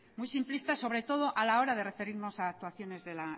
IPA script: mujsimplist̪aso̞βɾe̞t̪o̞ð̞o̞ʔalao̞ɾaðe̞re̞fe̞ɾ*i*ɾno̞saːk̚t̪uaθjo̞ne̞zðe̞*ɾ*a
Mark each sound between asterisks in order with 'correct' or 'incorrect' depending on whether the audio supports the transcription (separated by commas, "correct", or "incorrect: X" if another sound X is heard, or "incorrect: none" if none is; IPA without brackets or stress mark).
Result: correct, incorrect: l